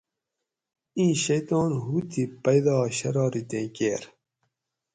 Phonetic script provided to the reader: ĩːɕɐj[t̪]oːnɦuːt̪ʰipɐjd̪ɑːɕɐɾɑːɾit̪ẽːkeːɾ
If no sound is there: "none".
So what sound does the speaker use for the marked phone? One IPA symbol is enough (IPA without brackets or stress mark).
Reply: t̪